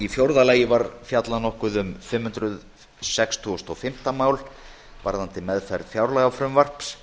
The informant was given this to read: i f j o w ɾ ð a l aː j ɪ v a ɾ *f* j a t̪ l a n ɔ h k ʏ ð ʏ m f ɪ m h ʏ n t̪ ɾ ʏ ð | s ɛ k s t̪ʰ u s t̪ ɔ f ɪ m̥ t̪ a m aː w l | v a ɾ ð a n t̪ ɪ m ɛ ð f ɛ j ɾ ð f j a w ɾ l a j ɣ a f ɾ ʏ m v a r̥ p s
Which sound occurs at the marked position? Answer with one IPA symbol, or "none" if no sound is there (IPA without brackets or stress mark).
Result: f